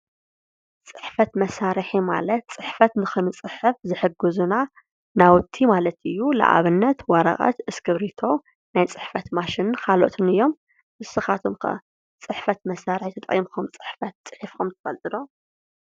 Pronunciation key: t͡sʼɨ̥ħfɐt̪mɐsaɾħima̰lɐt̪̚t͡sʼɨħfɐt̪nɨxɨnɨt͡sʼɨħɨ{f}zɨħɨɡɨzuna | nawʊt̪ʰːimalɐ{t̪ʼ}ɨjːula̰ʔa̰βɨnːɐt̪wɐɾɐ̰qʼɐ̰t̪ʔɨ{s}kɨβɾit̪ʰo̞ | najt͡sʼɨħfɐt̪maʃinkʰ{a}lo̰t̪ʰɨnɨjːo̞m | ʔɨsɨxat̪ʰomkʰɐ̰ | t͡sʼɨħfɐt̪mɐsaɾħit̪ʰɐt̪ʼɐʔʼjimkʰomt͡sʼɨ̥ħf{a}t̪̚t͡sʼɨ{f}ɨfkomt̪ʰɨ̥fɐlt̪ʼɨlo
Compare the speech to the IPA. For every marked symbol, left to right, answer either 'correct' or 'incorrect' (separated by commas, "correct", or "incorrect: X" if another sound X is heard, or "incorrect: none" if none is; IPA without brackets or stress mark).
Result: correct, incorrect: t̪, correct, correct, incorrect: ɐ, incorrect: ħ